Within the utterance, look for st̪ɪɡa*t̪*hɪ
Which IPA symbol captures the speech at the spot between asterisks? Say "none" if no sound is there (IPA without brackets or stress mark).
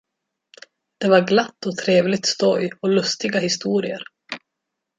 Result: none